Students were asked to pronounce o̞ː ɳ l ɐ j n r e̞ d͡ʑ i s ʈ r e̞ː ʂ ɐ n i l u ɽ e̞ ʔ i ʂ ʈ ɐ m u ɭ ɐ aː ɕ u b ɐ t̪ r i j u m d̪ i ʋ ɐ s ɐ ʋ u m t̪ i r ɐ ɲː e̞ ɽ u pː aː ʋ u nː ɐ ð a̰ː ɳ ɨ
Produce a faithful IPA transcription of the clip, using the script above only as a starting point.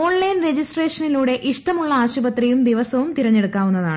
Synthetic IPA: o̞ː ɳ l ɐ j n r e̞ d͡ʑ i s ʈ r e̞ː ʂ ɐ n i l uː ɽ e̞ ʔ i ʂ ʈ ɐ m u ɭː ɐ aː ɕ u b ɐ t̪ r i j u m d̪ i ʋ ɐ s ɐ ʋ u m t̪ i ɾ ɐ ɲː e̞ ɽ u kː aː ʋ u nː ɐ ð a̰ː ɳ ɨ